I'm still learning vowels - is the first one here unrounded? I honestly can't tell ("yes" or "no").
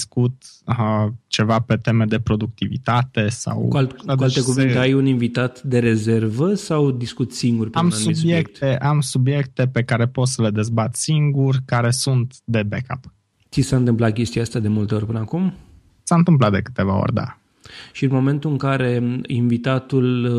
no